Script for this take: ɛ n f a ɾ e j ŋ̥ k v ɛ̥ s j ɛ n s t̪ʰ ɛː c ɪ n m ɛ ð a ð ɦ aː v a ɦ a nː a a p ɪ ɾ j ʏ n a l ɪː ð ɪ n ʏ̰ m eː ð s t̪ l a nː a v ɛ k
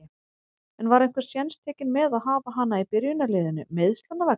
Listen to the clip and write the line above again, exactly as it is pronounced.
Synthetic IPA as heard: ɛ n v a ɾ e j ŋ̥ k v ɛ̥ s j ɛ n s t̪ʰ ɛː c ɪ n m ɛ ð a ð ɦ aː v a ɦ a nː a i p ɪ ɾ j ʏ n a l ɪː ð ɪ n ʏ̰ m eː ð s t̪ l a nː a v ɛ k